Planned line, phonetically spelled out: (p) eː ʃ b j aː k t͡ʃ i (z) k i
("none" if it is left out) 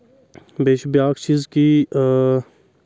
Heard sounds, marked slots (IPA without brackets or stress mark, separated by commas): b, z